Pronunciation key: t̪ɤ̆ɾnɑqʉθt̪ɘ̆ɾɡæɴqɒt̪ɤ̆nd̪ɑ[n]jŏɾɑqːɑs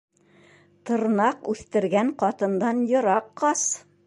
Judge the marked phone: correct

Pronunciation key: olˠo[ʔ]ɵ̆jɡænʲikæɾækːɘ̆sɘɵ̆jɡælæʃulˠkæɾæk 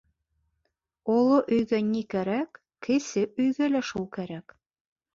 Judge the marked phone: correct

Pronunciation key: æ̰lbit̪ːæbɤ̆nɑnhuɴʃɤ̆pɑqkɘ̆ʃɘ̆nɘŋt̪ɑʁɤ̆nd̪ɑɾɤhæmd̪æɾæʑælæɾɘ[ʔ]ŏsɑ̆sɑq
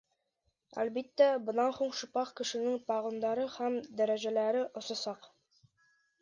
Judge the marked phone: correct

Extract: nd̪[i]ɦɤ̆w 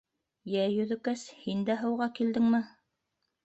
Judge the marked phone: incorrect: æ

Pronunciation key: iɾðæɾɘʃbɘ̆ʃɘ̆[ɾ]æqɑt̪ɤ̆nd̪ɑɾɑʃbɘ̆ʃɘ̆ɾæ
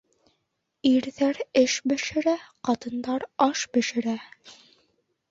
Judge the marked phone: correct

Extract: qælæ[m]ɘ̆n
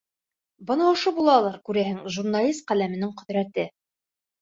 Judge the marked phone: correct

